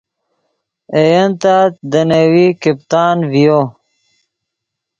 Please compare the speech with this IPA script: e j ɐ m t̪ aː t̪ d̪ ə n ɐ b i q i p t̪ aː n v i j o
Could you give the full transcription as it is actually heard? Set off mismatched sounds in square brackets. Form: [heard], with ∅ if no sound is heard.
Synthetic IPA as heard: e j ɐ [n] t̪ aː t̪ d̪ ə n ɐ [w] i [k] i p t̪ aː n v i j o